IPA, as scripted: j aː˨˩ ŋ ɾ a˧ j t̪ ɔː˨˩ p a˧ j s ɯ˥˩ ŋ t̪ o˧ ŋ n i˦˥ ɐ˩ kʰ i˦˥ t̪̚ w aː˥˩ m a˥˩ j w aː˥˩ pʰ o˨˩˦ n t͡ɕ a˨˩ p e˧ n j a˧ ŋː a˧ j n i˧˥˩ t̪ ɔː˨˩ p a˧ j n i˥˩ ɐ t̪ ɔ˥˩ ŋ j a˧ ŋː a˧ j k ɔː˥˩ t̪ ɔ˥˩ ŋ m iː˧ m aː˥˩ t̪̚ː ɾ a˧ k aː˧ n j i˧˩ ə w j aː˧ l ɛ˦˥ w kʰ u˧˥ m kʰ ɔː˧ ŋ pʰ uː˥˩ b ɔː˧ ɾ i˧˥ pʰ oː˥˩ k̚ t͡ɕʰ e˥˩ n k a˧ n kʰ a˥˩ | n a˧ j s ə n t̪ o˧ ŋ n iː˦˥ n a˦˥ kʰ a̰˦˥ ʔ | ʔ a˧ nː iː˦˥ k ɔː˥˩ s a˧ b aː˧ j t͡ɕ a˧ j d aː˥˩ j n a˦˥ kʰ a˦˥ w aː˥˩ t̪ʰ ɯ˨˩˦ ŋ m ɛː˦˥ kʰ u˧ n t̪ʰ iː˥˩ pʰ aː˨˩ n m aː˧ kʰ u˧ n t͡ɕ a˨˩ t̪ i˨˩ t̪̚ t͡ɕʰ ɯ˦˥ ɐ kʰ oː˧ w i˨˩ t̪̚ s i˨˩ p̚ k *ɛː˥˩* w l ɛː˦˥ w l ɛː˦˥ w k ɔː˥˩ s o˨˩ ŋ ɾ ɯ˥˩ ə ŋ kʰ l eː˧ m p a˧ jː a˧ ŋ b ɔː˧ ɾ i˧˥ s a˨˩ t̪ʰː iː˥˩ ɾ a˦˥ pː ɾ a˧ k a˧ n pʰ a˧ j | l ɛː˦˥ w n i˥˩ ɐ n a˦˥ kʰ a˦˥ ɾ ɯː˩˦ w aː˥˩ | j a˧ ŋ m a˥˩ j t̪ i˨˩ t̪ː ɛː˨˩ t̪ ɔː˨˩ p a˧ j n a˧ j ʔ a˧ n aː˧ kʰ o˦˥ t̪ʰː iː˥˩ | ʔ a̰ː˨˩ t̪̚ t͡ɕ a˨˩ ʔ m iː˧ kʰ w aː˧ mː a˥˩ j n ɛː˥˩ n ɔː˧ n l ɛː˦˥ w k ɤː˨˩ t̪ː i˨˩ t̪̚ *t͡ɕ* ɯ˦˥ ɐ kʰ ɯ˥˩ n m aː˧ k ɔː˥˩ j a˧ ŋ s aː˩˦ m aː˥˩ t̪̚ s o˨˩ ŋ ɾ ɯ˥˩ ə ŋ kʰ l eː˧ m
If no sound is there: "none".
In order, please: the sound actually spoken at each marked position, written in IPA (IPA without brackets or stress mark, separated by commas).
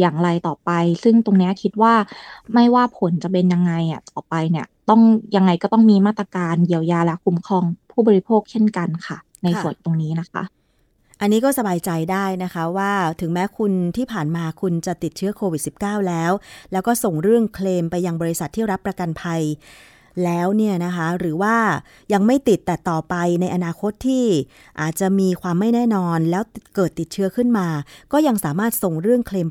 aː˥˩, t͡ɕʰ